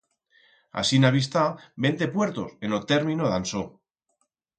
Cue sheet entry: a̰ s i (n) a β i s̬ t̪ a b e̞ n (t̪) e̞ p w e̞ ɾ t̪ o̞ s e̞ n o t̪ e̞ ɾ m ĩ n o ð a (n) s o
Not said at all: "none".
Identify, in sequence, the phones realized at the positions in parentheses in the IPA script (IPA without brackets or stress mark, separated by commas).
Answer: n, t̪, n